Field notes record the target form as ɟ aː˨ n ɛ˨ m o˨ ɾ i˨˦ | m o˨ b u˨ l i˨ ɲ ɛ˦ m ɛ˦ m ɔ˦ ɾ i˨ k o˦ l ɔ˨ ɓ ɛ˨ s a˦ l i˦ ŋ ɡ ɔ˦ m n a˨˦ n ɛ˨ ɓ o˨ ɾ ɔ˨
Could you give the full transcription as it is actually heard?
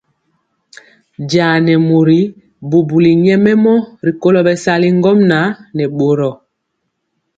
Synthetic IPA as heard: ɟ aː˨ n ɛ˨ m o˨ ɾ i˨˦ | b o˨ b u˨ l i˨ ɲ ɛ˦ m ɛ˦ m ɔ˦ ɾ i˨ k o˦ l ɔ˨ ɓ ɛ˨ s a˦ l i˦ ŋ ɡ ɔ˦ m n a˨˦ n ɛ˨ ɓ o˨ ɾ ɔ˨